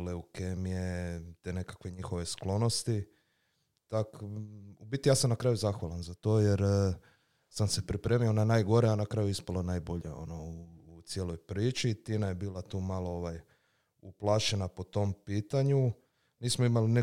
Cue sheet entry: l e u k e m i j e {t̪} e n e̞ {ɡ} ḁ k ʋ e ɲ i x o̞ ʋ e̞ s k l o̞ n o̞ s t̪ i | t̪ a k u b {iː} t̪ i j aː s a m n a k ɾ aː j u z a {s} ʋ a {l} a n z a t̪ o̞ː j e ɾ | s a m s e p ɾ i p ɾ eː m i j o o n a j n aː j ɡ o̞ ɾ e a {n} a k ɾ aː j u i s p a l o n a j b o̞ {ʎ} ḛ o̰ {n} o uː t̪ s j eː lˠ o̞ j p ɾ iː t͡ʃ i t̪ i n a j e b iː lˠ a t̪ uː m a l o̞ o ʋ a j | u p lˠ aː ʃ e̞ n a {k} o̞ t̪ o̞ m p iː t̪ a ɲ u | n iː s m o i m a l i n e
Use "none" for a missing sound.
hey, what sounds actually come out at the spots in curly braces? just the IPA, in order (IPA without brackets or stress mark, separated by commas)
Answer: t̪, k, i, x, l, n, ʎ, n, p